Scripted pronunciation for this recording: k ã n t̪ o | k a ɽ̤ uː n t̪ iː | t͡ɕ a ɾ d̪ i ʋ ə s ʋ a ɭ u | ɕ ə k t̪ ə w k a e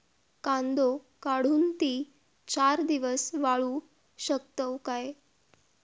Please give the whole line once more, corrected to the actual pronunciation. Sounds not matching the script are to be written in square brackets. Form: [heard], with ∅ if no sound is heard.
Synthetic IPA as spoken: k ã n [d̪] o | k a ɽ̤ uː n t̪ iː | t͡ɕ a ɾ d̪ i ʋ ə s ʋ a ɭ u | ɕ ə k t̪ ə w k a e